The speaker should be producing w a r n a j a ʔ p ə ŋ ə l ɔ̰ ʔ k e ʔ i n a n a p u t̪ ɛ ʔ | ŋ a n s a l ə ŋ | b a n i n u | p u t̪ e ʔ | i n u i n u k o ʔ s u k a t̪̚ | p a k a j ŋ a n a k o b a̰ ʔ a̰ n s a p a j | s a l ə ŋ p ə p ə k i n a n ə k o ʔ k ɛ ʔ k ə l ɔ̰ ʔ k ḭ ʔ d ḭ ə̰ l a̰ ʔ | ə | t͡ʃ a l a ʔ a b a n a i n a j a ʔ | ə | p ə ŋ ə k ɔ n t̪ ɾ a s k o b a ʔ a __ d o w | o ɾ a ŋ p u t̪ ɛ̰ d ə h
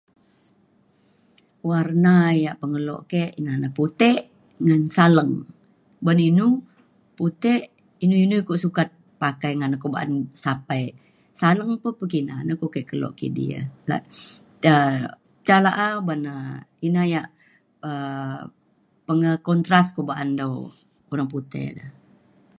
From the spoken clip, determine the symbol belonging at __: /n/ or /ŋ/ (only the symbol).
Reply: n